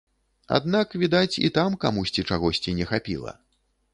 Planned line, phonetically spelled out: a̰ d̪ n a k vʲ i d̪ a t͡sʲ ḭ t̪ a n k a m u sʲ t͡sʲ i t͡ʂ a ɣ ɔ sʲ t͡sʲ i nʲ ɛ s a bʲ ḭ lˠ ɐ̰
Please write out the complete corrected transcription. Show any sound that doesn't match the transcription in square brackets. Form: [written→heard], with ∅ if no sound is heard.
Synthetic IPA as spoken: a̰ d̪ n a k vʲ i d̪ a t͡sʲ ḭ t̪ a [n→m] k a m u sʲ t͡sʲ i t͡ʂ a ɣ ɔ sʲ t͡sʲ i nʲ ɛ [s→x] a [bʲ→pʲ] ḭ lˠ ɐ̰